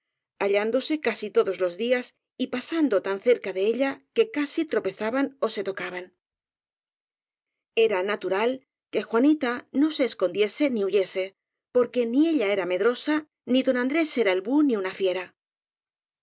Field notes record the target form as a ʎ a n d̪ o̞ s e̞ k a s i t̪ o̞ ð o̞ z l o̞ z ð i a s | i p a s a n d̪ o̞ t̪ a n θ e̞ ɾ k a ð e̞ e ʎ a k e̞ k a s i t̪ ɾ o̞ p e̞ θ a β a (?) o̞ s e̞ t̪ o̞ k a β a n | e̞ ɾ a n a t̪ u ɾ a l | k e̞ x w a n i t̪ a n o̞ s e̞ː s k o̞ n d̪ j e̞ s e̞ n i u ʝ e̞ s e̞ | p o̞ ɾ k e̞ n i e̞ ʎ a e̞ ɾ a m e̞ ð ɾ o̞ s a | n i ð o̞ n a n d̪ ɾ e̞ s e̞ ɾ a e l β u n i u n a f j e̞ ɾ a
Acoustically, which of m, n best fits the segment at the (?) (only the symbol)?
n